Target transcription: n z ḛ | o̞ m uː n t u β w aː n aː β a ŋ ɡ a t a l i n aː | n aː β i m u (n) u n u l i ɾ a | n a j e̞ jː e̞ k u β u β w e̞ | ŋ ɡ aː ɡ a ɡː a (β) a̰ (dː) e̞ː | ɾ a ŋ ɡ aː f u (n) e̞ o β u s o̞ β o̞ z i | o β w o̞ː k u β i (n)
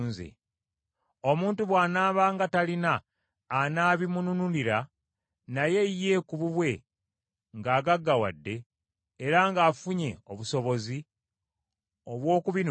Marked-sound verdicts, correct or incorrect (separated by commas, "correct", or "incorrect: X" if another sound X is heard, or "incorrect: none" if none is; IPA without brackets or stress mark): correct, incorrect: w, correct, incorrect: ɲ, correct